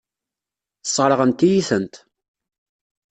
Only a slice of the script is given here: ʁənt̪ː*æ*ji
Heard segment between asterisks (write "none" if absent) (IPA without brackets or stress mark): i